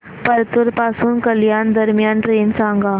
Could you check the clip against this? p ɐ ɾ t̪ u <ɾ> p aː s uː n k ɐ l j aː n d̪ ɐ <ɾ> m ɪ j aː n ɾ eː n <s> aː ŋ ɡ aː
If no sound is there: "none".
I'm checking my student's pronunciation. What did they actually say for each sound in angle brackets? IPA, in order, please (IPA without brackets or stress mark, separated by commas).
ɾ, ɾ, s